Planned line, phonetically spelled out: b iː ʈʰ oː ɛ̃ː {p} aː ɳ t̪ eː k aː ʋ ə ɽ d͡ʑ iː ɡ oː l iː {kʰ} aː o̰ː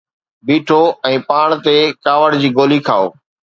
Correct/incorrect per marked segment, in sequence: correct, correct

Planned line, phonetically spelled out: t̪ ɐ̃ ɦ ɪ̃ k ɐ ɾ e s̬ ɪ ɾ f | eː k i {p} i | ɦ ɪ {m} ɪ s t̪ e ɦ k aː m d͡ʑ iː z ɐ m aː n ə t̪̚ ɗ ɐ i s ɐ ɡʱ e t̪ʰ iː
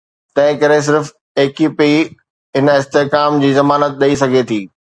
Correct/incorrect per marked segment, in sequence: correct, incorrect

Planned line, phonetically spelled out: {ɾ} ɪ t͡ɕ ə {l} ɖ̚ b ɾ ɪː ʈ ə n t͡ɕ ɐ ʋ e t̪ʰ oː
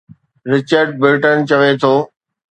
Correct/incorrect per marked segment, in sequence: correct, incorrect

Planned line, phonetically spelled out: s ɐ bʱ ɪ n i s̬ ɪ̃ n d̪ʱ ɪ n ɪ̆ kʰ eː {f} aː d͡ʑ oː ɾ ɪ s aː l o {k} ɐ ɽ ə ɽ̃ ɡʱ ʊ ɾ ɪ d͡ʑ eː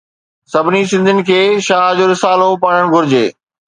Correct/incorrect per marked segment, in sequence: incorrect, incorrect

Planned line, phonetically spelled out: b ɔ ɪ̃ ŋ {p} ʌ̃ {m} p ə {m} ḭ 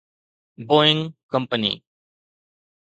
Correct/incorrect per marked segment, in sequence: incorrect, correct, incorrect

